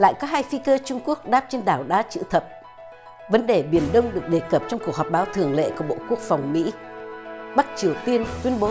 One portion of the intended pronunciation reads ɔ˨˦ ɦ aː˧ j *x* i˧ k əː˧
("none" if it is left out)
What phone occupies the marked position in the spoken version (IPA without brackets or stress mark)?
f